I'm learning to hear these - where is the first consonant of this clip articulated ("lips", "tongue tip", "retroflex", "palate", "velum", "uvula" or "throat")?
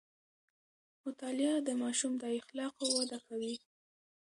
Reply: lips